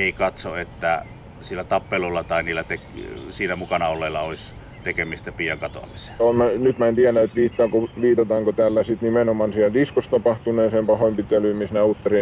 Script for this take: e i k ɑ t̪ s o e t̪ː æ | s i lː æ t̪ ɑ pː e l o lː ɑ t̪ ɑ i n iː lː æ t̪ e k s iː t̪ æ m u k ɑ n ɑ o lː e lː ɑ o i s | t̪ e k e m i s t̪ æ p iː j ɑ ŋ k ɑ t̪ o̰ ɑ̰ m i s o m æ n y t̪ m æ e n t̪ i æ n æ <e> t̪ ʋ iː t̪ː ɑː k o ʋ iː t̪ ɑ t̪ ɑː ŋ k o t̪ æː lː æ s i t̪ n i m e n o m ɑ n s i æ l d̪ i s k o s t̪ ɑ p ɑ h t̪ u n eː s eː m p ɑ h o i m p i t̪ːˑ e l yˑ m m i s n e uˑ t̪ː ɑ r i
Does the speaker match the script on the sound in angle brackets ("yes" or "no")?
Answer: yes